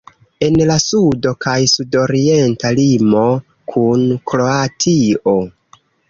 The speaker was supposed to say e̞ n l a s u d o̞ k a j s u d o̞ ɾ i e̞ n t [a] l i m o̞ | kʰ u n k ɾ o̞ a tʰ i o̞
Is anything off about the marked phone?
no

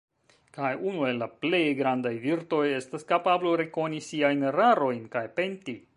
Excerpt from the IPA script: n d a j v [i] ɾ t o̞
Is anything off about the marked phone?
no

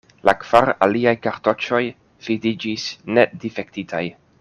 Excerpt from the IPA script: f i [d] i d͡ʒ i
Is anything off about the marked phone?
no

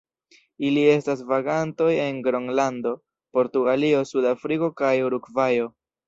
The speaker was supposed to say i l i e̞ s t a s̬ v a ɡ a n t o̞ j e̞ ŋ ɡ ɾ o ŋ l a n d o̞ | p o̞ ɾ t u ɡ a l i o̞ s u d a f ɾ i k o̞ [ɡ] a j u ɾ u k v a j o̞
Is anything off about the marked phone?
yes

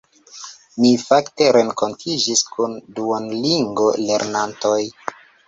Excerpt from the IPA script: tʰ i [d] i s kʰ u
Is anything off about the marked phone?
yes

